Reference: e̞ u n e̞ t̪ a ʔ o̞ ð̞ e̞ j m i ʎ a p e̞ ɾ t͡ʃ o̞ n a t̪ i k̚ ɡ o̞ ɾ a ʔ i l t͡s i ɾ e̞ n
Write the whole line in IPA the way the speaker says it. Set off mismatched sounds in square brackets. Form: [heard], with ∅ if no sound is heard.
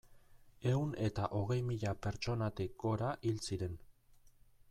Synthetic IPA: e̞ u n e̞ t̪ a ʔ o̞ [ɣ̞] e̞ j m i ʎ a p e̞ ɾ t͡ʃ o̞ n a t̪ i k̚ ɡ o̞ ɾ a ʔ i l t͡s i ɾ e̞ n